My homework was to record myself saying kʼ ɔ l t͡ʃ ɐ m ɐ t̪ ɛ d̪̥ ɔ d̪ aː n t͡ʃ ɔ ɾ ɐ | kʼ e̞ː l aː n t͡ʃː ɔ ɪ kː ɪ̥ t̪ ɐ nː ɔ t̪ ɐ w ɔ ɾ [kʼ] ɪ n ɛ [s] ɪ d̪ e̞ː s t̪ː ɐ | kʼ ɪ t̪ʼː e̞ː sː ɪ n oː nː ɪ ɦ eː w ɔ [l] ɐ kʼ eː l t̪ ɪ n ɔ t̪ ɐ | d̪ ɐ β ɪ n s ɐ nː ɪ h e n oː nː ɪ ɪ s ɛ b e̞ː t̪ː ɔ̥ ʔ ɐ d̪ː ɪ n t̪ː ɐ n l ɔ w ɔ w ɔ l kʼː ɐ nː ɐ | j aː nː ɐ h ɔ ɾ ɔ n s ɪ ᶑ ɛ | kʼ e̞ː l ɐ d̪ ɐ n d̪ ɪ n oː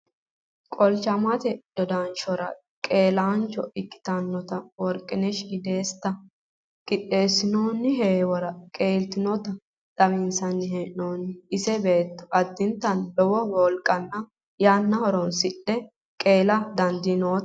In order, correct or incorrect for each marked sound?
correct, incorrect: ʃ, incorrect: ɾ

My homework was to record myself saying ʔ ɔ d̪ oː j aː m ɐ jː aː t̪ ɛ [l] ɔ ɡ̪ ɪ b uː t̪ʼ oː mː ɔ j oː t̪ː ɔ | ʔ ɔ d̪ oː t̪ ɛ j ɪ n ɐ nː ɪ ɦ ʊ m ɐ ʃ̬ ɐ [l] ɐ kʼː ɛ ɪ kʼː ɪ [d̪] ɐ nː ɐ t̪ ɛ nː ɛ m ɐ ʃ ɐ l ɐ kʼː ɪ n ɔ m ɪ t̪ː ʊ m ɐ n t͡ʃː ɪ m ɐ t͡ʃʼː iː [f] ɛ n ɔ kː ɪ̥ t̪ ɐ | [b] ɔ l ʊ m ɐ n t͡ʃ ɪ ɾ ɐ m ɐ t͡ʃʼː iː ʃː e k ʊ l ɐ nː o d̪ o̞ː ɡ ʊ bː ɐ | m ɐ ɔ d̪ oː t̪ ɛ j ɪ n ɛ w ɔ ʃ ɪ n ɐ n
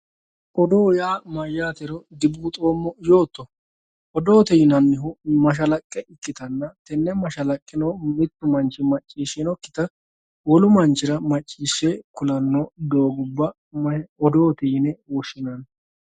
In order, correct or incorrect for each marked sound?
incorrect: ɾ, correct, incorrect: t̪, incorrect: ʃ, incorrect: w

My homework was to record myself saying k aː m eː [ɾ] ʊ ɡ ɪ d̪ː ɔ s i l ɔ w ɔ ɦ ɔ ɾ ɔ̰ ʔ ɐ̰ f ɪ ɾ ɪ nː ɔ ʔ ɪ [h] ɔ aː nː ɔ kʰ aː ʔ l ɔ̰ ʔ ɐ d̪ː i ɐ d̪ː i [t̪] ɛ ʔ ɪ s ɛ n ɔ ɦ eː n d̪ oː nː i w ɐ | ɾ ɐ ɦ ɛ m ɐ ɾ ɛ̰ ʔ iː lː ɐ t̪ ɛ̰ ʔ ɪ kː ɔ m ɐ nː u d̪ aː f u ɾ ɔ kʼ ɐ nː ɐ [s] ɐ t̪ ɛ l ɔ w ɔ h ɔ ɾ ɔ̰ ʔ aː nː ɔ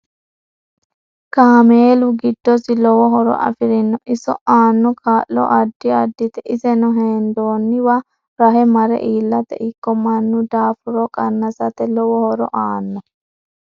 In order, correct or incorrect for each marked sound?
incorrect: l, incorrect: s, correct, correct

